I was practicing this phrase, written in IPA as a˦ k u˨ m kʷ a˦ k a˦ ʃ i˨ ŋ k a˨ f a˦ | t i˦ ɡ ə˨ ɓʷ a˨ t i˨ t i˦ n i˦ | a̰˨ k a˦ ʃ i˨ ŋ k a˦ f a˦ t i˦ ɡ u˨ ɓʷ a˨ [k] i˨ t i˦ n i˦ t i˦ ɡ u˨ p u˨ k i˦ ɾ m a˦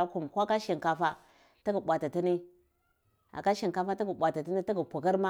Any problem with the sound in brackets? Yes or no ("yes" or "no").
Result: yes